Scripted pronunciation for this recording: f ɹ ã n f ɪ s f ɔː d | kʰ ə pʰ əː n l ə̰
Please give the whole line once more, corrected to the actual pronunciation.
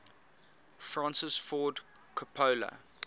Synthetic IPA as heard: f ɹ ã n s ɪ s f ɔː d | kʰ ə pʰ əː l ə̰